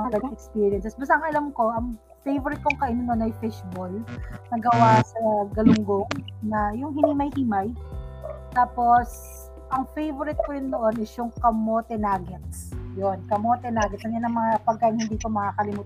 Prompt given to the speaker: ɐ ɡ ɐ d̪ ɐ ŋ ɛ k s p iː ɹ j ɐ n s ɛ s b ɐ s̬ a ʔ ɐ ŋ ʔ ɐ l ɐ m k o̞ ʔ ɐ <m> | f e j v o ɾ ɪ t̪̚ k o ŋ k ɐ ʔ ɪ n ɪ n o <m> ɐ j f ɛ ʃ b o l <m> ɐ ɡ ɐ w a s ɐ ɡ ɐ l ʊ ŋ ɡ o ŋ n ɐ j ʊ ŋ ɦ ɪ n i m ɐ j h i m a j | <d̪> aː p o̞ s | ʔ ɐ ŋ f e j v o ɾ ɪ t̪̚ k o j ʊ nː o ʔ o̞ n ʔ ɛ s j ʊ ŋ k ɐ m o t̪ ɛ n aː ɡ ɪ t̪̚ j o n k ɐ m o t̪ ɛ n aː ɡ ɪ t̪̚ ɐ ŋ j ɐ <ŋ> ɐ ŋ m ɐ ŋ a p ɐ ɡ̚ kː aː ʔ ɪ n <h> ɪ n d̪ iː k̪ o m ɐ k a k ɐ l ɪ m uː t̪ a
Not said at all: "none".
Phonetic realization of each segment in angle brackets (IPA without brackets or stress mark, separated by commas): ŋ, n, n, t̪, n, h